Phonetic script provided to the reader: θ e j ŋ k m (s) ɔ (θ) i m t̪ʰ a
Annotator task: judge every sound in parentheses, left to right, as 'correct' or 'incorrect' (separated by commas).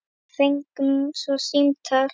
correct, incorrect